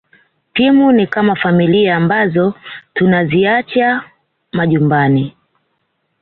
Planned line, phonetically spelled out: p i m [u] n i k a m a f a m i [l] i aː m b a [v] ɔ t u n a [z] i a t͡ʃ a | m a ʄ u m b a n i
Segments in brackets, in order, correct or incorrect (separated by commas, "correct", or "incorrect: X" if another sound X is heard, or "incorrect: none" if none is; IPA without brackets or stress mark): correct, correct, incorrect: z, correct